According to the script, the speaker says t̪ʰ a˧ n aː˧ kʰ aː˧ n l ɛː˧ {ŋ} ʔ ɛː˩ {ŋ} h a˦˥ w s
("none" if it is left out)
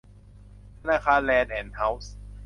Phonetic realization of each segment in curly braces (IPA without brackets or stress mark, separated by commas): n, n